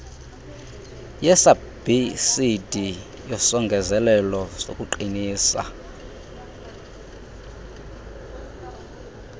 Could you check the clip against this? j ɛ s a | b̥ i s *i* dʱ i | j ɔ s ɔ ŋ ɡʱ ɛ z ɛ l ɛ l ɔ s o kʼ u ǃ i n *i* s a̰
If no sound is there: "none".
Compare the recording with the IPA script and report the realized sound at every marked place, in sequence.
i, iː

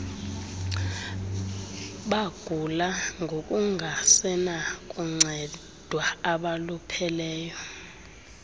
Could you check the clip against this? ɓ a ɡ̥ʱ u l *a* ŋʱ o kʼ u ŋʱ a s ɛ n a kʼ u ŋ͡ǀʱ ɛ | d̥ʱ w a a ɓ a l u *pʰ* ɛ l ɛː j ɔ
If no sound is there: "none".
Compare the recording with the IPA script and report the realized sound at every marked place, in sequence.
a, pʰ

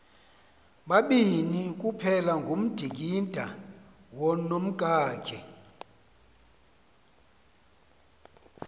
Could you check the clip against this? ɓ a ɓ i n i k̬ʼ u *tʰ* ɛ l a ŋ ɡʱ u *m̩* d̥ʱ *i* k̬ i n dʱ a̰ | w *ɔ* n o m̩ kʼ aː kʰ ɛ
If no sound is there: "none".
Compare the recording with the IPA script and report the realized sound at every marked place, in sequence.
pʰ, m̩, i, ɔ

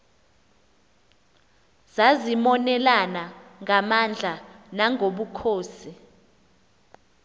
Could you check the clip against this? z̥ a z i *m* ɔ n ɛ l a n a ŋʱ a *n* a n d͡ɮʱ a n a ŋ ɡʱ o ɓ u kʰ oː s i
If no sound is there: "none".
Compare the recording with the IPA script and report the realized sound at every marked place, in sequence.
m, m

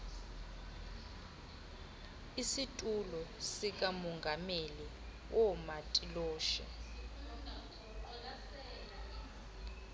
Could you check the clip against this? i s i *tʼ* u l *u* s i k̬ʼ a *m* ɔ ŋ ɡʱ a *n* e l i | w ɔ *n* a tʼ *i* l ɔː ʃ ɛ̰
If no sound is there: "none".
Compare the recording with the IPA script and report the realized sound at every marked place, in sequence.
tʼ, ɔ, m, m, m, i

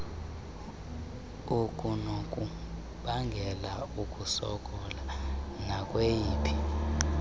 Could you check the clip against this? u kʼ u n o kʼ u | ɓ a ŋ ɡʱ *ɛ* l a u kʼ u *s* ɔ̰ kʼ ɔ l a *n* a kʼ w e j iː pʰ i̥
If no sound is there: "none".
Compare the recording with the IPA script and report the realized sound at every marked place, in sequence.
ɛ, s, n

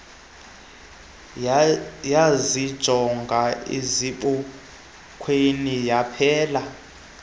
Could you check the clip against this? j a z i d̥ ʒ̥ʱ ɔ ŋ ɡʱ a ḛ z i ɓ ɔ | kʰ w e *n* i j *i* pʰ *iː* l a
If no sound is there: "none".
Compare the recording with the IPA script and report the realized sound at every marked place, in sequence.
n, a, ɛː

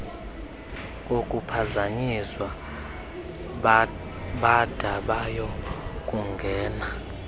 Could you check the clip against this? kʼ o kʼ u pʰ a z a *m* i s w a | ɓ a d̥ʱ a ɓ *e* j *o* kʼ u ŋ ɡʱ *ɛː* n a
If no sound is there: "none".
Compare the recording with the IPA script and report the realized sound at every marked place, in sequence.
ɲ, a, ɔ, ɛː

